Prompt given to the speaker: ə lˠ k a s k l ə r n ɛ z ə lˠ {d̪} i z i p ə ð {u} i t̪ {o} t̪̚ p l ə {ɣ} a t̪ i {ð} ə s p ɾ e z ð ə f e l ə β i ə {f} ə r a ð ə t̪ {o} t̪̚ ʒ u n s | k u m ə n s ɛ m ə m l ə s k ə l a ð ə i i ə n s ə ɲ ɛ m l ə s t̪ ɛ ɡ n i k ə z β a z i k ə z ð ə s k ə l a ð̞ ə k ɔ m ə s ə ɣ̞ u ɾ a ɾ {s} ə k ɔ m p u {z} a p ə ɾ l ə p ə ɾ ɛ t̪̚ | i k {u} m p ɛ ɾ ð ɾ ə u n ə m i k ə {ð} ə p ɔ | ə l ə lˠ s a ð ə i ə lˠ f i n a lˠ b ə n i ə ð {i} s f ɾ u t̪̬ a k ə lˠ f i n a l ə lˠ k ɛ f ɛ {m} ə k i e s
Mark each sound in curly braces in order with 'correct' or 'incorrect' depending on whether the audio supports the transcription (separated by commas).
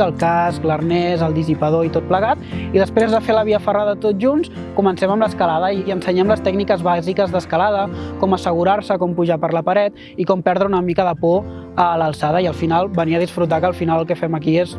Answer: correct, incorrect, correct, correct, correct, correct, correct, correct, incorrect, incorrect, correct, correct, correct